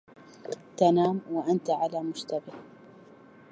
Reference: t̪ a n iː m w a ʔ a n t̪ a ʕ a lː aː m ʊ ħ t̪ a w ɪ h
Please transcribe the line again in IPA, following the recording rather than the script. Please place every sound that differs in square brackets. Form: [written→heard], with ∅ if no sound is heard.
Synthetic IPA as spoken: t̪ a n [iː→aː] m w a ʔ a n t̪ a ʕ a [lː→l] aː m ʊ [ħ→ʃ] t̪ a [w→b] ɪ h